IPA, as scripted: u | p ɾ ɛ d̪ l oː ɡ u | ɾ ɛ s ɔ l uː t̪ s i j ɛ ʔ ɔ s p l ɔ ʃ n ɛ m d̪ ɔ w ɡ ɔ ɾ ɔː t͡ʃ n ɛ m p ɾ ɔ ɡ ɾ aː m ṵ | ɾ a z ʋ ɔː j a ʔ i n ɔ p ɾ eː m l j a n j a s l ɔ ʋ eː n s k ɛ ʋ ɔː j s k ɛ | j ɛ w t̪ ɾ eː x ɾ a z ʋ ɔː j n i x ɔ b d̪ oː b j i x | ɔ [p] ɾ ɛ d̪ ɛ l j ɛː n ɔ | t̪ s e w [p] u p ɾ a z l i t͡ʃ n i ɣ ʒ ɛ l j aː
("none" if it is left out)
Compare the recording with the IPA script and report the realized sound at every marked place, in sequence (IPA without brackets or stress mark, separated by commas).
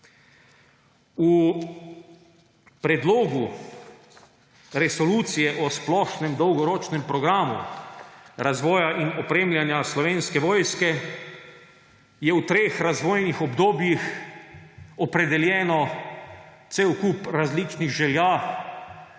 p, k